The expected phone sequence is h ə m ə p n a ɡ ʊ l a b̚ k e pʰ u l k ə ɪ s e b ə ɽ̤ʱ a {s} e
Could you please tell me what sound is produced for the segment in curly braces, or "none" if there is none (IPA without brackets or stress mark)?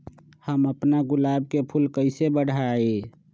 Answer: none